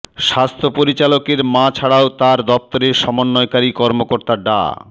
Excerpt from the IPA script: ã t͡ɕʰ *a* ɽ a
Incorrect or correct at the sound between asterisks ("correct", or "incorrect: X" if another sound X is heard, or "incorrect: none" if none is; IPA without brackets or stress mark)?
correct